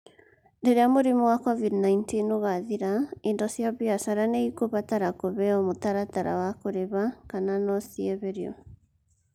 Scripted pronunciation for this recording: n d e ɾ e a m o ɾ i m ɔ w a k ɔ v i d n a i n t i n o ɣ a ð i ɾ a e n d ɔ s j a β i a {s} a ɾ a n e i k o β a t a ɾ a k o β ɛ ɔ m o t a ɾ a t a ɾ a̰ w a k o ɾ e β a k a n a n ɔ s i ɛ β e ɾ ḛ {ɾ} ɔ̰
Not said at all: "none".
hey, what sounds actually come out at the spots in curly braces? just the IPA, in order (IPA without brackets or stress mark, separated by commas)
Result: s, none